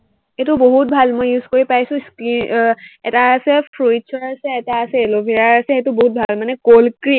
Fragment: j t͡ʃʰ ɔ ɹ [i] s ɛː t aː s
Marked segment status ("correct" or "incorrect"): incorrect